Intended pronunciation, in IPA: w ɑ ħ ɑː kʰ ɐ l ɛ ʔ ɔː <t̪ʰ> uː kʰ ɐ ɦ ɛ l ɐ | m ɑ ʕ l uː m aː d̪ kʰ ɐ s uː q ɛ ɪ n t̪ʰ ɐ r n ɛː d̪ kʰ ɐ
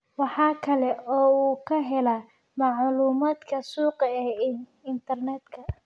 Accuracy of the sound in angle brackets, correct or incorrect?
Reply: incorrect